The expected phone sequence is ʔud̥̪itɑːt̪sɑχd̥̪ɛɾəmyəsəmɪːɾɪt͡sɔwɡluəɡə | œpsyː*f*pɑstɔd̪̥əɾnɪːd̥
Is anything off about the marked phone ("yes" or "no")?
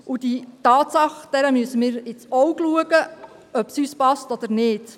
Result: yes